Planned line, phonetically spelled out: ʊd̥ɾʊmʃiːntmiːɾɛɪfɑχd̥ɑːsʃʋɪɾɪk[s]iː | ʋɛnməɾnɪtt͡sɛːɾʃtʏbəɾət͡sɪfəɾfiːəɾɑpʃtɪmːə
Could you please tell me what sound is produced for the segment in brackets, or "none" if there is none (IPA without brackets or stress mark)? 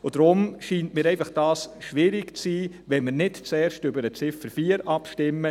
t͡s